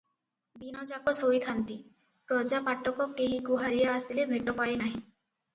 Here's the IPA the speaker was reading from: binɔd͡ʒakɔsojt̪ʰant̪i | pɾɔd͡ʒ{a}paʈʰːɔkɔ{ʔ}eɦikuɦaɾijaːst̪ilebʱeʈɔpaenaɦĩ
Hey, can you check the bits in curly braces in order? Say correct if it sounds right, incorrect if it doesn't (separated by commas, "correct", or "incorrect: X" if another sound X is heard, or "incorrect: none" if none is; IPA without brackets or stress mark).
correct, incorrect: k